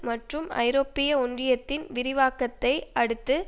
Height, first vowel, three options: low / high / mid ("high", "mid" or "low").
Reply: low